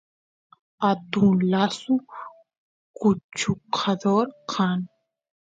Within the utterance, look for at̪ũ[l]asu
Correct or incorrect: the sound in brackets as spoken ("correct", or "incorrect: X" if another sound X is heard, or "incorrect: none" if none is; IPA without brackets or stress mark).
correct